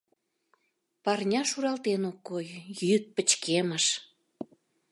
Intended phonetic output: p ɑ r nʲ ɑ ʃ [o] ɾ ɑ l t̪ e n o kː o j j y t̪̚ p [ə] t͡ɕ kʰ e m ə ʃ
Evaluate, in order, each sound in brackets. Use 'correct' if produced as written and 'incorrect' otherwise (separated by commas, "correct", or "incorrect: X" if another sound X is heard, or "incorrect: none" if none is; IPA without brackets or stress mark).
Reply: incorrect: u, correct